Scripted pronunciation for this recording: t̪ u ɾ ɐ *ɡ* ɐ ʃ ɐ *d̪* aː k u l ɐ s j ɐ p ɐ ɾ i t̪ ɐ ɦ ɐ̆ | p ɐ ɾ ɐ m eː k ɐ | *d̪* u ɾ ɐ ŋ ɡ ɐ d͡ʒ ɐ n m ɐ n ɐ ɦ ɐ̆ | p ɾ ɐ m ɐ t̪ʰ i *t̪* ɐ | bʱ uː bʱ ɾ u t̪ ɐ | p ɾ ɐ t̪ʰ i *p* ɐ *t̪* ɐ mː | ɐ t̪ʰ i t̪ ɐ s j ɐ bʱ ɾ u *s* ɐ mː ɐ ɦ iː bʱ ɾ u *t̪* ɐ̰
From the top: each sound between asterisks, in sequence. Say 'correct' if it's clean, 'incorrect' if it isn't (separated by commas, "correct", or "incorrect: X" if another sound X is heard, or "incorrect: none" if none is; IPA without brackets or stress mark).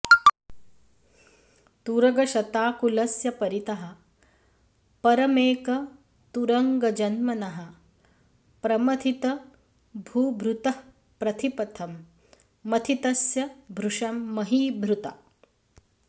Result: correct, incorrect: t̪, incorrect: t̪, correct, correct, incorrect: t̪ʰ, incorrect: ʂ, correct